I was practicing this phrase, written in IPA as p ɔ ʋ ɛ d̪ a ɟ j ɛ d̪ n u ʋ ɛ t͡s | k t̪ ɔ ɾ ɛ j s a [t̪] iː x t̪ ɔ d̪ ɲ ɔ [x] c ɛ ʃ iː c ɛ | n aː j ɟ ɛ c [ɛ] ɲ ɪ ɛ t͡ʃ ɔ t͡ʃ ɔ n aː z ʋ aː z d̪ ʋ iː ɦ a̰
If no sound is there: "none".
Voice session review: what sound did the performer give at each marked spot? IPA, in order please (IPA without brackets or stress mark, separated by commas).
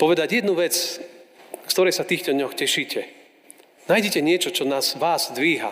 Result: t̪, x, ɛ